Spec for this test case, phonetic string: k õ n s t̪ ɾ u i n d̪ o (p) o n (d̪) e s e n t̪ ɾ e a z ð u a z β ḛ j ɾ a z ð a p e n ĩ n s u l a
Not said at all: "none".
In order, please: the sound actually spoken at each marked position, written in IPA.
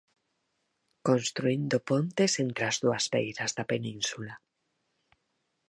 p, t̪

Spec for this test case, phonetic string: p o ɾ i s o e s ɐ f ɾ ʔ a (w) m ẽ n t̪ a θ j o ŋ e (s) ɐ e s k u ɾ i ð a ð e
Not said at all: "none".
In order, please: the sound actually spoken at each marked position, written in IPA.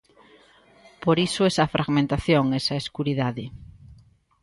ɣ, s

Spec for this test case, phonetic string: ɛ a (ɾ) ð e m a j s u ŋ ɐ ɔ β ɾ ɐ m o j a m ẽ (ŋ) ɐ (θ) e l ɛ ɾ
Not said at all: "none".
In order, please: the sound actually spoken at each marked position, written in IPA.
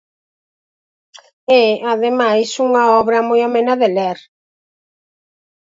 none, n, ð

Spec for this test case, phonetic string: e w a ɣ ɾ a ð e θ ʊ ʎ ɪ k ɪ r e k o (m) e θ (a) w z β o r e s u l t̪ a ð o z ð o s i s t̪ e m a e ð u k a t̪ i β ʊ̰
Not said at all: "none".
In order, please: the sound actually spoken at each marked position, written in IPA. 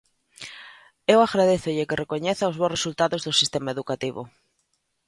ɲ, a

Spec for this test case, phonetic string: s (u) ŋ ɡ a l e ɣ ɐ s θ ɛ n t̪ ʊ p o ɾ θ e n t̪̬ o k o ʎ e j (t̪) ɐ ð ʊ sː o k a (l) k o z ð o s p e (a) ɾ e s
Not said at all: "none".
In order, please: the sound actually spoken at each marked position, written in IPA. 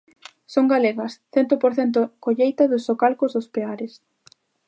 o, t̪, l, a

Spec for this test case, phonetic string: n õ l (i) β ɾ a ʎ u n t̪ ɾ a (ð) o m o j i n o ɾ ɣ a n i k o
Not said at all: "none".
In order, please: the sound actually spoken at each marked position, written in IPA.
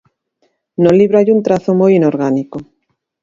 i, θ

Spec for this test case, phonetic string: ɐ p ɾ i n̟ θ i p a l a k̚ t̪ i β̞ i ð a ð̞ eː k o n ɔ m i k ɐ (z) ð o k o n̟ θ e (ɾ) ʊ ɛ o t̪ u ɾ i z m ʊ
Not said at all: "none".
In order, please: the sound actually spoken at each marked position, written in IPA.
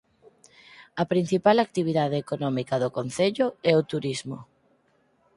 none, ʎ

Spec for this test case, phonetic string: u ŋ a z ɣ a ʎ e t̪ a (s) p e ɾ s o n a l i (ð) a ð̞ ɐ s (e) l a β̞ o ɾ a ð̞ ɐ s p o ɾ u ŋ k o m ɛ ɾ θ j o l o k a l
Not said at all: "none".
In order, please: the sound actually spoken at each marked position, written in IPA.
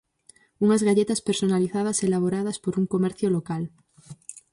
s, θ, e

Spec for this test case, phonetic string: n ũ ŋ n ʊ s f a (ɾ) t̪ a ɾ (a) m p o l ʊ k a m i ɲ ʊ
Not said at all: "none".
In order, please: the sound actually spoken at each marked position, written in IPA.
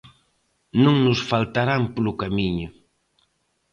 l, a

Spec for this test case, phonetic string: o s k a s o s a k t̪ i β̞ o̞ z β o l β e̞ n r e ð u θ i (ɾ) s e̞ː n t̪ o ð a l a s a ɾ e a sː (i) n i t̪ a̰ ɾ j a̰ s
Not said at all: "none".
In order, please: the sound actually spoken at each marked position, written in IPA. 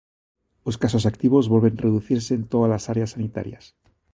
ɾ, a

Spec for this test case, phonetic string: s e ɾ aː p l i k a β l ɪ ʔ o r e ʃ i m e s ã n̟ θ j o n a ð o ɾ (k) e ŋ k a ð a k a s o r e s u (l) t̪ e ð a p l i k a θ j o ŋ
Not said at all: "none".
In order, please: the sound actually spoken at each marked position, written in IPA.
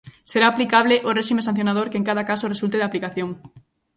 k, l

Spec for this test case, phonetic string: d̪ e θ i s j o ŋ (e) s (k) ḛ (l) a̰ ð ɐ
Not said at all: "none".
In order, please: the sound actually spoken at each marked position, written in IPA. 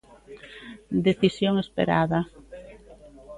e, p, ɾ

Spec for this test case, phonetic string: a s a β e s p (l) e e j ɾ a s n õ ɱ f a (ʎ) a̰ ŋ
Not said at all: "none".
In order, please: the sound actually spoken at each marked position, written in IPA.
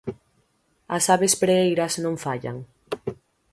ɾ, ʎ

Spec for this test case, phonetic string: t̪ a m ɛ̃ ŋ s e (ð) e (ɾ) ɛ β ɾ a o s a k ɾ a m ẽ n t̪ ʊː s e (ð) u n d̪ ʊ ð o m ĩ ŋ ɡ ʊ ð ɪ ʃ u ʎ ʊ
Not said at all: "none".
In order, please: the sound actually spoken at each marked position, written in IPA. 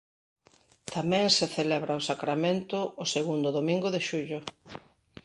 θ, l, ɣ

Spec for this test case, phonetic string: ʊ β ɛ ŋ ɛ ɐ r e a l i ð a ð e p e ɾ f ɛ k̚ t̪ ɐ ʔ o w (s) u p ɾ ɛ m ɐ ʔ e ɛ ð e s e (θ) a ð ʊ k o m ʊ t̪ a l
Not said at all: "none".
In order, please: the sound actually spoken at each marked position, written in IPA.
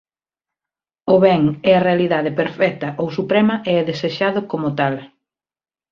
s, ʃ

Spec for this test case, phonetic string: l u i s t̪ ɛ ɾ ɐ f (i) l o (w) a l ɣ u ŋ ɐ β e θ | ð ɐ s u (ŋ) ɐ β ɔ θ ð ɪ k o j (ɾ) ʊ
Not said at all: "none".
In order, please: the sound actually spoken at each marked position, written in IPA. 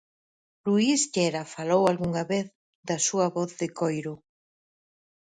a, w, none, ɾ

